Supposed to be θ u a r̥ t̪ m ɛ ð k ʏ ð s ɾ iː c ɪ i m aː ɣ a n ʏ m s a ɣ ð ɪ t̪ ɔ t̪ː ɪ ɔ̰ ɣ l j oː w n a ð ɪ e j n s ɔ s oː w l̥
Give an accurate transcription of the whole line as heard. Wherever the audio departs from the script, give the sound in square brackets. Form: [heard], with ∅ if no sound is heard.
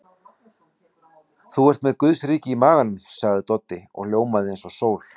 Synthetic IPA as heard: θ u [ɛ] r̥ t̪ m ɛ ð k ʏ ð s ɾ iː c ɪ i m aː ɣ a n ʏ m s a ɣ ð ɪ t̪ ɔ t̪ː ɪ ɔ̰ ɣ l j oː w [m] a ð ɪ e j n s ɔ s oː w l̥